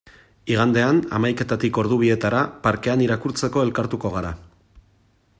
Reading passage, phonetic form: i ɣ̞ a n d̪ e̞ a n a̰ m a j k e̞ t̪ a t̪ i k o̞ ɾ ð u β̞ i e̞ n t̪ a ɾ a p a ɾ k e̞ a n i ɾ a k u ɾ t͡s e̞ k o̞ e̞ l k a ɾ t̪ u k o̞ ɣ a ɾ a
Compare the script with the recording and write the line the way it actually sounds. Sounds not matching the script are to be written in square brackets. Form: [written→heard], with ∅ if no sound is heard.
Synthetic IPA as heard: i ɣ̞ a n d̪ e̞ a n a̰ m a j k e̞ t̪ a t̪ i k o̞ ɾ ð u β̞ i e̞ [n→∅] t̪ a ɾ a p a ɾ k e̞ a n i ɾ a k u ɾ t͡s e̞ k o̞ e̞ l k a ɾ t̪ u k o̞ ɣ a ɾ a